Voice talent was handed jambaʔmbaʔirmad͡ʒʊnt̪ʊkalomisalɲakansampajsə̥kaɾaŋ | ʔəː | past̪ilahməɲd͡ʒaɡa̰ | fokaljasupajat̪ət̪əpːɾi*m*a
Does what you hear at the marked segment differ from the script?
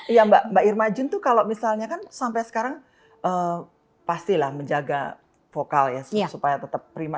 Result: no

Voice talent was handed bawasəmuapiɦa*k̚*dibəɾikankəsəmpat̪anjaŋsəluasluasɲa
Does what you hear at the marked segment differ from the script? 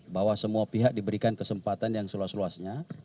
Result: no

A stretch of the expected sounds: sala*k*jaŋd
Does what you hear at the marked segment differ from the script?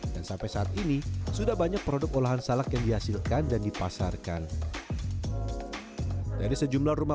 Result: no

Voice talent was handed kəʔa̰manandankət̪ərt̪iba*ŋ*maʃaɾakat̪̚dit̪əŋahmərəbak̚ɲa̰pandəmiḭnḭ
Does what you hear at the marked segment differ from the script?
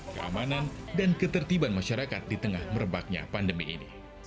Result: yes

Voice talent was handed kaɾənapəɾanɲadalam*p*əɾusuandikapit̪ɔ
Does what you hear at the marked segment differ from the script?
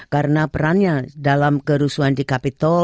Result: yes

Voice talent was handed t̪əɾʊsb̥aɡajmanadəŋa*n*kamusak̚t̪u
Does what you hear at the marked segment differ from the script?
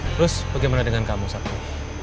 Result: no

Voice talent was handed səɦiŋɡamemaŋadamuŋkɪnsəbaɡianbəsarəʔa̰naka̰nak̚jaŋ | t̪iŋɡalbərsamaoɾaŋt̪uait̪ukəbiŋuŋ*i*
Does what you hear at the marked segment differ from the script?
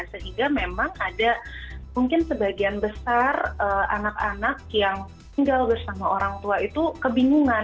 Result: yes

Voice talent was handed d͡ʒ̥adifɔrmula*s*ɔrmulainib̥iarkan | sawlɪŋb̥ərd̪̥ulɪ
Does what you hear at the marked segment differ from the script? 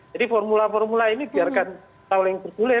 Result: yes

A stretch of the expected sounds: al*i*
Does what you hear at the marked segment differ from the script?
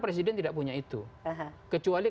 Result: no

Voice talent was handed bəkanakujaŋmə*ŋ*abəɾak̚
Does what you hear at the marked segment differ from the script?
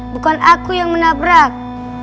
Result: yes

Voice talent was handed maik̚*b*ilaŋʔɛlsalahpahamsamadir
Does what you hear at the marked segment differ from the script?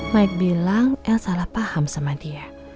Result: no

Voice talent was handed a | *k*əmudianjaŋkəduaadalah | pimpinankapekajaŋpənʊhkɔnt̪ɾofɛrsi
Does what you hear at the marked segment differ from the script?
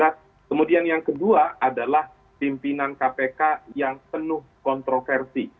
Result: no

